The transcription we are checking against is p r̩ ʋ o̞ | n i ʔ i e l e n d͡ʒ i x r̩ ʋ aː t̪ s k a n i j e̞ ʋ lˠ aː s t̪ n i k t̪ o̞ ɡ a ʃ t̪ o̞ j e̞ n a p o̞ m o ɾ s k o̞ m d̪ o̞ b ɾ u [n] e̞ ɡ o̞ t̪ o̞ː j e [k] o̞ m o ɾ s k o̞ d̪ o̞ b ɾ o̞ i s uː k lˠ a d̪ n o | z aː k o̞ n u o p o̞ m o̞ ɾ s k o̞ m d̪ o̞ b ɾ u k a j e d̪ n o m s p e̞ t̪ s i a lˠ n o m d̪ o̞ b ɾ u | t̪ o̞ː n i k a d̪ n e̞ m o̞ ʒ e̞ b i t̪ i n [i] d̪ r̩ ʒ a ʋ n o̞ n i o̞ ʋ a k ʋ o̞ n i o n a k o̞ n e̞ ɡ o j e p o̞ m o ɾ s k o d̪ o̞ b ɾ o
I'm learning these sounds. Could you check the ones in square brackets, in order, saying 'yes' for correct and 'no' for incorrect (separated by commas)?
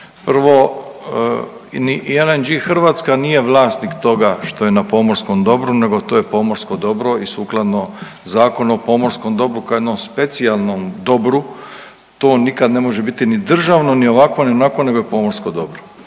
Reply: yes, no, yes